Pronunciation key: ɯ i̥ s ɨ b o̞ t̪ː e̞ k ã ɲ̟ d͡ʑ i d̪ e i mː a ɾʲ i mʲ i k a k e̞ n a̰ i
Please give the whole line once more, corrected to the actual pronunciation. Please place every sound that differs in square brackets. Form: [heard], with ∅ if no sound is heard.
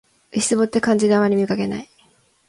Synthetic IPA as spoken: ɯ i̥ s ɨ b o̞ t̪ː e̞ k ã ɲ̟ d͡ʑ i d̪ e [a] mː a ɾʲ i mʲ i k a k e̞ n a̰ i